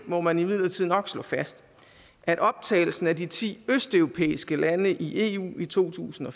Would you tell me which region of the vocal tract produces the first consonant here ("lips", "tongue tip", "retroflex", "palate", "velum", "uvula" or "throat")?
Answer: lips